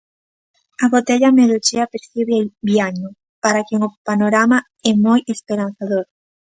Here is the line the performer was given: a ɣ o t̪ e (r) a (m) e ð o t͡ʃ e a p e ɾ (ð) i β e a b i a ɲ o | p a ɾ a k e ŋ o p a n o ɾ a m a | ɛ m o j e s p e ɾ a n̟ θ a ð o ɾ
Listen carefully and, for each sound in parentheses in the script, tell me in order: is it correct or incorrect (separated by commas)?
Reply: incorrect, correct, incorrect